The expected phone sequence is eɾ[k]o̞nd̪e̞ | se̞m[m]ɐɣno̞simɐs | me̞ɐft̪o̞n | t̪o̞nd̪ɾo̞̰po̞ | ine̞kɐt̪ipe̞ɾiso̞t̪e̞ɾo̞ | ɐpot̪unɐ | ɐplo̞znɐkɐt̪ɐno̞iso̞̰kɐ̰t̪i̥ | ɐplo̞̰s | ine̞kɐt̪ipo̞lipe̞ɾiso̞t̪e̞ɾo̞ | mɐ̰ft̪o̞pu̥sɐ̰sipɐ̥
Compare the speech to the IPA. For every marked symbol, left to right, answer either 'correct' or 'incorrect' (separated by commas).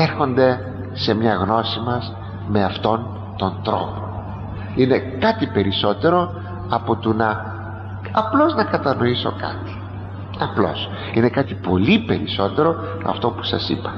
incorrect, incorrect